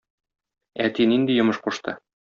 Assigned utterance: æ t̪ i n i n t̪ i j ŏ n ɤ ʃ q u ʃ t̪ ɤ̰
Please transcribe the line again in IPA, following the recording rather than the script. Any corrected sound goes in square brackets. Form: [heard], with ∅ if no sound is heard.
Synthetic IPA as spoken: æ t̪ i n i n [d̪] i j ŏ [m] ɤ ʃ q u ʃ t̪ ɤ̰